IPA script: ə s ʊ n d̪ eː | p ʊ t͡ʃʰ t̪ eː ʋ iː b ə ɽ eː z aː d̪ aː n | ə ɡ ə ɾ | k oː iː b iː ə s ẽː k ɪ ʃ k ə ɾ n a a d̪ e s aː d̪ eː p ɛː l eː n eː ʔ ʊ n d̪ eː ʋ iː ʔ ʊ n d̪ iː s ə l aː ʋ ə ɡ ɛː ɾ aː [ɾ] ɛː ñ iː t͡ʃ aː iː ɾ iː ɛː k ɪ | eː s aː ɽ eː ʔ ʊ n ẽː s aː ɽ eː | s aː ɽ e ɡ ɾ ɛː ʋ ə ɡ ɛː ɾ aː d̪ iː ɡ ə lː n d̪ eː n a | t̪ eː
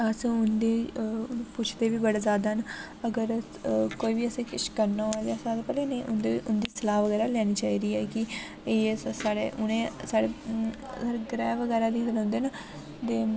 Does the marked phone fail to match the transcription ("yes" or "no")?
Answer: yes